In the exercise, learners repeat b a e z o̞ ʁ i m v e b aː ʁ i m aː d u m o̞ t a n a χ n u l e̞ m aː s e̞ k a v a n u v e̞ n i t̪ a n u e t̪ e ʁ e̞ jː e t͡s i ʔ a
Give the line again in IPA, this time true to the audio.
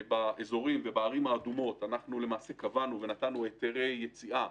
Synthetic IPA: b a e z o̞ ʁ i m v e b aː ʁ i m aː d u m o̞ t a n a χ n u l e̞ m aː s e̞ k a v a n u v e̞ n a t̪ a n u e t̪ e ʁ e̞ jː e t͡s i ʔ a